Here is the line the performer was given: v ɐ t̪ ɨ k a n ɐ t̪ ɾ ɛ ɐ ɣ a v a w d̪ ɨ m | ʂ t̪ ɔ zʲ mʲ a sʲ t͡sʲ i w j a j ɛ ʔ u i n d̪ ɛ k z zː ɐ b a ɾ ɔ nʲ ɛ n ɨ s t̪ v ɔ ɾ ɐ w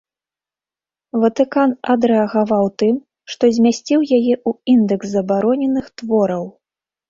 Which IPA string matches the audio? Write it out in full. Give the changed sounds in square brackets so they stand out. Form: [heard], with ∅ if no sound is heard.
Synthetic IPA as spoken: v ɐ t̪ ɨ k a n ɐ [d̪] ɾ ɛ ɐ ɣ a v a w [t̪] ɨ m | ʂ t̪ ɔ zʲ mʲ a sʲ t͡sʲ i w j a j ɛ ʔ u i n d̪ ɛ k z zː ɐ b a ɾ ɔ nʲ ɛ n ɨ [x] t̪ v ɔ ɾ ɐ w